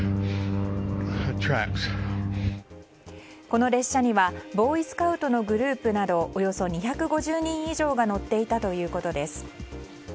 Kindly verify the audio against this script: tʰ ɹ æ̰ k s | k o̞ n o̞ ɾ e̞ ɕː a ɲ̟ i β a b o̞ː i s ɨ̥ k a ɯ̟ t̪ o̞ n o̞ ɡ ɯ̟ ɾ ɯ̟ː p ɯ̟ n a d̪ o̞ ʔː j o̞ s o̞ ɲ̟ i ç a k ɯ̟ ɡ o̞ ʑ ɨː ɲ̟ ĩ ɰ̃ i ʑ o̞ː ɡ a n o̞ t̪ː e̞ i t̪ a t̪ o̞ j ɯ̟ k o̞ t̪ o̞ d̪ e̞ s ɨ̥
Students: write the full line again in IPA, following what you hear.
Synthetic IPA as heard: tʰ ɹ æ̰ k s | k o̞ n o̞ ɾ e̞ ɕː a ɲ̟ i β a b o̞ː i s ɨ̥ k a ɯ̟ t̪ o̞ n o̞ ɡ ɯ̟ ɾ ɯ̟ː p ɯ̟ n a d̪ o̞ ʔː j o̞ s o̞ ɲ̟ i ç a k ɯ̟ ɡ o̞ ʑ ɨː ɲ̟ ĩ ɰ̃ i ʑ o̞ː ɡ a n o̞ t̪ː e̞ i t̪ a t̪ o̞ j ɯ̟ː k o̞ t̪ o̞ d̪ e̞ s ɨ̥

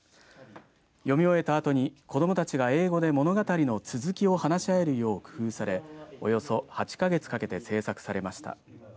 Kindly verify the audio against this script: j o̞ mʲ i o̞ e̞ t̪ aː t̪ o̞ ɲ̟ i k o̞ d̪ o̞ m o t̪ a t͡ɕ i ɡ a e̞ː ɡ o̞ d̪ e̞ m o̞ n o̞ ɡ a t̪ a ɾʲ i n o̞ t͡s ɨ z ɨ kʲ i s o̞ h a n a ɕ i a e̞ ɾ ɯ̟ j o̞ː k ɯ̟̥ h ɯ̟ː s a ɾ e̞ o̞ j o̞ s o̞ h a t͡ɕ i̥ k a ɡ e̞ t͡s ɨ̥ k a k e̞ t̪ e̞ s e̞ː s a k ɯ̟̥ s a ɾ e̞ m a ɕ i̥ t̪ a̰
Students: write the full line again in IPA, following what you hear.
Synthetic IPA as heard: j o̞ mʲ i o̞ e̞ t̪ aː t̪ o̞ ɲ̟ i k o̞ d̪ o̞ m o t̪ a t͡ɕ i ɡ a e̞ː ɡ o̞ d̪ e̞ m o̞ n o̞ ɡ a t̪ a ɾʲ i n o̞ t͡s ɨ z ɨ kʲ i o̞ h a n a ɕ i a e̞ ɾ ɯ̟ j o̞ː k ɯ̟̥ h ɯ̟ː s a ɾ e̞ o̞ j o̞ s o̞ h a t͡ɕ i̥ k a ɡ e̞ t͡s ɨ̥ k a k e̞ t̪ e̞ s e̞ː s a k ɯ̟̥ s a ɾ e̞ m a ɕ i̥ t̪ a̰

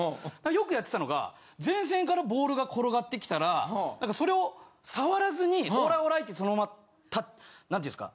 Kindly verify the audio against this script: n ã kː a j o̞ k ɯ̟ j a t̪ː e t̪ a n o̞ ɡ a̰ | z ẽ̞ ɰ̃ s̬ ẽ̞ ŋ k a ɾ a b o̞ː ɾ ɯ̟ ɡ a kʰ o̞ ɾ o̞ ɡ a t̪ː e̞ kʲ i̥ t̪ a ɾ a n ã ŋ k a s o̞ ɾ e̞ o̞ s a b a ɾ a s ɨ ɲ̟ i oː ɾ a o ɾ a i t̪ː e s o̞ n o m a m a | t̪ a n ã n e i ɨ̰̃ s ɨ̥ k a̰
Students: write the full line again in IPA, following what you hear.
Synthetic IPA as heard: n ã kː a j o̞ k ɯ̟ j a t̪ː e t̪ a n o̞ ɡ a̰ | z ẽ̞ ɰ̃ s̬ ẽ̞ ŋ k a ɾ a b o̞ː ɾ ɯ̟ ɡ a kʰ o̞ ɾ o̞ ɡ a t̪ː e̞ kʲ i̥ t̪ a ɾ a n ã ŋ k a s o̞ ɾ e̞ o̞ s a β a ɾ a z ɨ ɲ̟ i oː ɾ a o ɾ a i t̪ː e s o̞ n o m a m a | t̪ a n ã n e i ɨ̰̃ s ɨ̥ k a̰

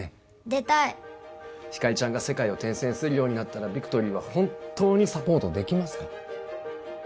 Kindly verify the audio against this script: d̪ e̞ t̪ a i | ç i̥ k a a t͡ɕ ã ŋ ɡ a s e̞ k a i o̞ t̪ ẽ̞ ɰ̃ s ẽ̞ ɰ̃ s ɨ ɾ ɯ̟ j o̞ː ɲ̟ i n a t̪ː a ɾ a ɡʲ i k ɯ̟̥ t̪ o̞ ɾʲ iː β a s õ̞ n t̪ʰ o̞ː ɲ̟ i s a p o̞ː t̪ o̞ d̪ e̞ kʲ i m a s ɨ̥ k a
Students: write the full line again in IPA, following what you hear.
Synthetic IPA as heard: d̪ e̞ t̪ a i | ç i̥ k a i t͡ɕ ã ŋ ɡ a s e̞ k a i o̞ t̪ ẽ̞ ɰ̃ s ẽ̞ ɰ̃ s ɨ ɾ ɯ̟ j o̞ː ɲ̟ i n a t̪ː a ɾ a bʲ i k ɯ̟̥ t̪ o̞ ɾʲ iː β a h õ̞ n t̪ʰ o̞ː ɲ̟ i s a p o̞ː t̪ o̞ d̪ e̞ kʲ i m a s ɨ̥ k a

